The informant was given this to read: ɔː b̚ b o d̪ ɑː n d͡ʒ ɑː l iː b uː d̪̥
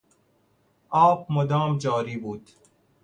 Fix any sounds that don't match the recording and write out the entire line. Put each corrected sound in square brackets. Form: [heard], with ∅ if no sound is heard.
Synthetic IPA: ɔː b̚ [m] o d̪ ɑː [m] d͡ʒ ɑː [ɾ] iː b uː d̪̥